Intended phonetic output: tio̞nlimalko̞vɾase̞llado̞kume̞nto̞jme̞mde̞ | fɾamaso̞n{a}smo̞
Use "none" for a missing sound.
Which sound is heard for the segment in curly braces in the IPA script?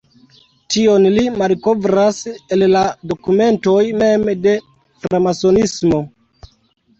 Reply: i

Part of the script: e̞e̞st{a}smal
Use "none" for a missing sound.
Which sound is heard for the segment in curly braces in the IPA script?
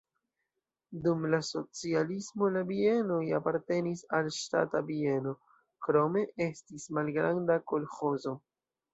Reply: i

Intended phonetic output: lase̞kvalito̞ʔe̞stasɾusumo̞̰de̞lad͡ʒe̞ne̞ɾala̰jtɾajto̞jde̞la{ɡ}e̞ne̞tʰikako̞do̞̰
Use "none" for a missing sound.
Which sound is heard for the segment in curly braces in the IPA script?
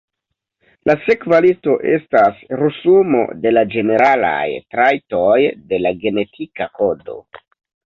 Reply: ɡ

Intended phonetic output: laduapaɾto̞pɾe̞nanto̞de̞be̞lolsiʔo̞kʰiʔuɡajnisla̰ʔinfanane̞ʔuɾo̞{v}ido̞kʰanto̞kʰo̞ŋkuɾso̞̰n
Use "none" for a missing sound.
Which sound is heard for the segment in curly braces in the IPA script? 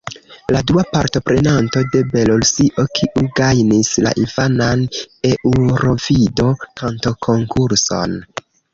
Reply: v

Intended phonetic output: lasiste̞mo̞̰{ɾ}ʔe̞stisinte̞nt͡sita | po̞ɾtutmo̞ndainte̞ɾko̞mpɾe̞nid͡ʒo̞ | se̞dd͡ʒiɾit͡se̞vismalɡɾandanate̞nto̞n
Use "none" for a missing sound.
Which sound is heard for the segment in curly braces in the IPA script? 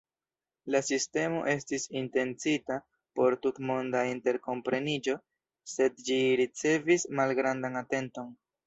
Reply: none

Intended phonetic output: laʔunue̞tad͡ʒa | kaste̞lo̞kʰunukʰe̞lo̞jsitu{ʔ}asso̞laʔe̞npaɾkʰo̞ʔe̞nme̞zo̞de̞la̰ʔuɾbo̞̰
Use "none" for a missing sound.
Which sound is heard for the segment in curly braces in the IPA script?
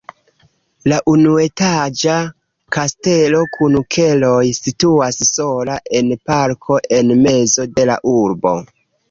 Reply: none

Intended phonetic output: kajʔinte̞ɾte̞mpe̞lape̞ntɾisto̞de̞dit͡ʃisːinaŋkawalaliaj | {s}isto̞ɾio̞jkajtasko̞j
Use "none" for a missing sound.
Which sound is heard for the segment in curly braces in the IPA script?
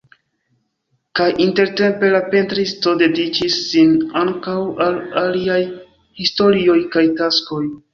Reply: h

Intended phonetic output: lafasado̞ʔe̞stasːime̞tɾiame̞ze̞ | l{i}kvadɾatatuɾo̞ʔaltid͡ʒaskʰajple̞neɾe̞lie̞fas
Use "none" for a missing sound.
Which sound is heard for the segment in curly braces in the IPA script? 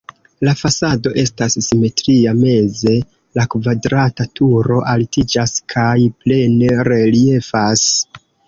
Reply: a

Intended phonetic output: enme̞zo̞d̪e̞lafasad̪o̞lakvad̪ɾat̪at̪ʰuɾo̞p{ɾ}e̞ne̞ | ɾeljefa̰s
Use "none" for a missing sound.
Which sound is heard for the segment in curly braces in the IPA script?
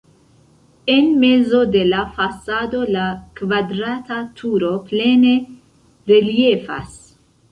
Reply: l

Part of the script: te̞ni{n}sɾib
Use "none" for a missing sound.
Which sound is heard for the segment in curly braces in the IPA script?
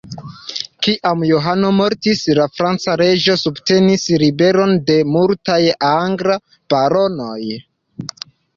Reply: none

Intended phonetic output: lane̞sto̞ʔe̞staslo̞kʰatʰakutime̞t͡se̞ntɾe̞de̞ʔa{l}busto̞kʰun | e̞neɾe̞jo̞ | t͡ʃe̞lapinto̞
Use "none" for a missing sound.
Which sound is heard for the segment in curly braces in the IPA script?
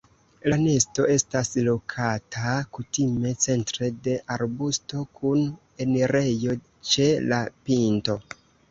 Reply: ɾ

